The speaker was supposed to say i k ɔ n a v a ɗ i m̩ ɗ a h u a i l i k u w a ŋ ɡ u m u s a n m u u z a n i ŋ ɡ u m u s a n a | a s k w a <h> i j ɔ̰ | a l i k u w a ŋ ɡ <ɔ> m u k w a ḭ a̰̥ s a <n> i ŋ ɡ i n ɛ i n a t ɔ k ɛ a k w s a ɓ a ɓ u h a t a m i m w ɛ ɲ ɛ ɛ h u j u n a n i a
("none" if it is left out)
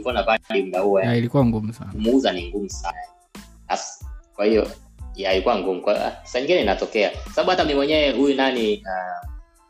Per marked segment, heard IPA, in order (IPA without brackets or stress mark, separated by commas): h, u, ɲ